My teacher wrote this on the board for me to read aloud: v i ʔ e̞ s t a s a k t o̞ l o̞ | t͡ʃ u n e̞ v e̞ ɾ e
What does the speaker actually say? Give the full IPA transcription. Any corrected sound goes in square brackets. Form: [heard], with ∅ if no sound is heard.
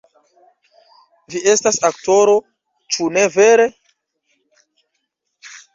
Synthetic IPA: v i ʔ e̞ s t a s a k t o̞ [ɾ] o̞ | t͡ʃ u n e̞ v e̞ ɾ e

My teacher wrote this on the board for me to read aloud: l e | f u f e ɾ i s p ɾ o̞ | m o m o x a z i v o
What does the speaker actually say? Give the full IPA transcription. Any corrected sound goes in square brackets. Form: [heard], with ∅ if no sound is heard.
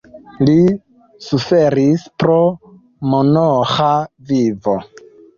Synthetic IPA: l [i] | [s] u f e ɾ i s p ɾ o̞ | m o [n] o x a [v] i v o

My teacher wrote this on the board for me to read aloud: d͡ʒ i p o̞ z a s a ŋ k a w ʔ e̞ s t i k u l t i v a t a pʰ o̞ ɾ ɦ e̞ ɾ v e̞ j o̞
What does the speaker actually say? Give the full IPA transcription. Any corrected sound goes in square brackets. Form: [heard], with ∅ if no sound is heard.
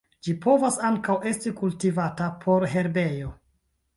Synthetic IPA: d͡ʒ i p o̞ [v] a s a ŋ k a w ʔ e̞ s t i k u l t i v a t a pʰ o̞ ɾ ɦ e̞ ɾ [b] e̞ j o̞

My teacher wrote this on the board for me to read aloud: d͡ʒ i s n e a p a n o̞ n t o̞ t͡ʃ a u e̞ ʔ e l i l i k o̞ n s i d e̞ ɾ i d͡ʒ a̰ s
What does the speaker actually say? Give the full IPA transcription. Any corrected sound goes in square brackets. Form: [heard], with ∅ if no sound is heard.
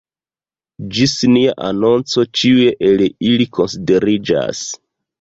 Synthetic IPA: d͡ʒ i s n [i] a [ʔ] a n o̞ n [t͡s] o̞ t͡ʃ [i] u e̞ ʔ e l i l i k o̞ n s i d e̞ ɾ i d͡ʒ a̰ s

